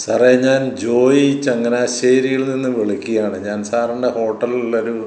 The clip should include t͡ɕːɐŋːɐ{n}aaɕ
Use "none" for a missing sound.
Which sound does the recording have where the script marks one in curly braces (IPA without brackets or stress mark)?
n